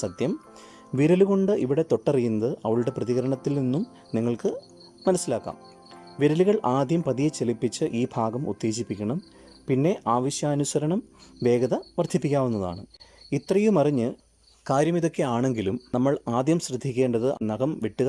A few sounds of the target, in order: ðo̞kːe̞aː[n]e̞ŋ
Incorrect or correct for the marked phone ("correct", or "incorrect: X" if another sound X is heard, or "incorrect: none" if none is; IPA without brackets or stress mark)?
incorrect: ɳ